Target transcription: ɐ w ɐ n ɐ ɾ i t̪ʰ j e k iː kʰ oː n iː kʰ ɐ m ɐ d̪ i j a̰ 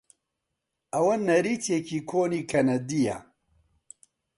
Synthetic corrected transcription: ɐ w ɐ n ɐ ɾ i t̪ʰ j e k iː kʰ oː n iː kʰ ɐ n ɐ d̪ i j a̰